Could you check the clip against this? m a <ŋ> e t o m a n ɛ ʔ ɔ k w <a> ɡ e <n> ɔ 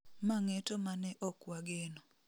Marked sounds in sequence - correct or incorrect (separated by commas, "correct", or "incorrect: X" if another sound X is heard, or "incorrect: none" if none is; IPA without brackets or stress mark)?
correct, correct, correct